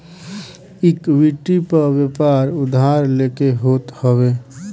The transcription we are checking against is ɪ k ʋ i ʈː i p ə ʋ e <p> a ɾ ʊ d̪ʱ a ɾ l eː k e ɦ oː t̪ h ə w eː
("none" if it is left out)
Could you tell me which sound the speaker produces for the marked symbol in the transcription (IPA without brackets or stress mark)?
p